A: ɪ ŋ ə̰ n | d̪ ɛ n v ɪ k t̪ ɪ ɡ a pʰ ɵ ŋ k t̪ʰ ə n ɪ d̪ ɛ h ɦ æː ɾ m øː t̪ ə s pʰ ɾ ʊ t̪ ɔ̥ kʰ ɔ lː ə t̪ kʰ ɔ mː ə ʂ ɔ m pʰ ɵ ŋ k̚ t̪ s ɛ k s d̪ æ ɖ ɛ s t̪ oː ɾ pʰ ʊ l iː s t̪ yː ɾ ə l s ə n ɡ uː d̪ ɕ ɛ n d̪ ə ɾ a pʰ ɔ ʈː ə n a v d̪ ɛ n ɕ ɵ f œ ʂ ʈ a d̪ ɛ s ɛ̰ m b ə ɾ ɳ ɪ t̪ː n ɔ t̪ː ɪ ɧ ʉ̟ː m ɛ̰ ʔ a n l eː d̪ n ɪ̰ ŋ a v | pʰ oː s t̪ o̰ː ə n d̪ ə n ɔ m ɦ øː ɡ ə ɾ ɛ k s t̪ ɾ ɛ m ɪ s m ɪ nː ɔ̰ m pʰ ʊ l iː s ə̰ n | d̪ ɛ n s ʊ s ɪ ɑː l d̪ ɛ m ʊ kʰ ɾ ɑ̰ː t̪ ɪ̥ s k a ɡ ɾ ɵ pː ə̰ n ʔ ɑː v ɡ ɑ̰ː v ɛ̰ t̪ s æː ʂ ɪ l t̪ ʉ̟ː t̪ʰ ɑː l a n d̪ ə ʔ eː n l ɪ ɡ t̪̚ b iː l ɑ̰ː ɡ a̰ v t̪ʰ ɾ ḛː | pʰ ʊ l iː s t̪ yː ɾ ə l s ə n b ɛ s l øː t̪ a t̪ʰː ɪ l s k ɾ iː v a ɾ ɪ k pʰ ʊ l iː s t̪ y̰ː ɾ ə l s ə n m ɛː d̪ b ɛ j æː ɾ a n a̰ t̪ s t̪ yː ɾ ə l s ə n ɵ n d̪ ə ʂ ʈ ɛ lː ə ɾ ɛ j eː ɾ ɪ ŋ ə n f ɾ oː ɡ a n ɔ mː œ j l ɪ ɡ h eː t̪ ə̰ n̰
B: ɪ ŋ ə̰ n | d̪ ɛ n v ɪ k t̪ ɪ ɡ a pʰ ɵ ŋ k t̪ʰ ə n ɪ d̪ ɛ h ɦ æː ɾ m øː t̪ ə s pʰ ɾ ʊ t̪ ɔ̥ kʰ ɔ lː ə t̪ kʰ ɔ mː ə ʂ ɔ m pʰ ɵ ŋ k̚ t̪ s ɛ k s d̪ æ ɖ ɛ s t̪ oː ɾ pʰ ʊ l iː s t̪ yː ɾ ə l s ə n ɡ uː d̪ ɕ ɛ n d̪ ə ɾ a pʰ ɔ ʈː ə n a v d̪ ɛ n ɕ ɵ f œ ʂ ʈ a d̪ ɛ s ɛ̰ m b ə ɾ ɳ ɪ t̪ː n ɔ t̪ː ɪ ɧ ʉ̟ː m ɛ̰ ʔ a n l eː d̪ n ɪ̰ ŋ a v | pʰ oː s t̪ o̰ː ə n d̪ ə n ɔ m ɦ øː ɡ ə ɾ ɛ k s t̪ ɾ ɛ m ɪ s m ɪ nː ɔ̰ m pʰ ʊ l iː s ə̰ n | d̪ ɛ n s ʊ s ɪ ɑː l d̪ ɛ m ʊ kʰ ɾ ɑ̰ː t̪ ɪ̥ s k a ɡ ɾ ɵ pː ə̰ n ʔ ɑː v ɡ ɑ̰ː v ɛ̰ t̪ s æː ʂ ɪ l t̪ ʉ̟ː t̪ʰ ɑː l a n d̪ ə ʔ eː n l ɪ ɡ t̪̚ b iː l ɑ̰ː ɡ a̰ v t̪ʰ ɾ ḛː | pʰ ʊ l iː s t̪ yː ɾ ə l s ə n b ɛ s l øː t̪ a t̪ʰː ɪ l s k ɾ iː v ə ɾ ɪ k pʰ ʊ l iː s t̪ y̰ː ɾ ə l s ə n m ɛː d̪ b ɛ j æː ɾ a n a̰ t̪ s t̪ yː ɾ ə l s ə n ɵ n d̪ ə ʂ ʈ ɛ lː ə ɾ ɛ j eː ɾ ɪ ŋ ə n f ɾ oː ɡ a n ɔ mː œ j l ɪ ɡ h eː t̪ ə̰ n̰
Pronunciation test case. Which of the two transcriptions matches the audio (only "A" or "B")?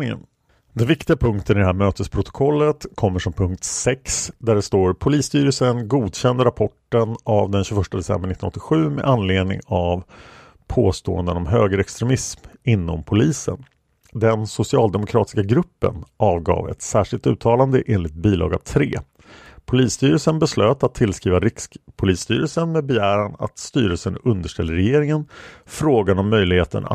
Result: A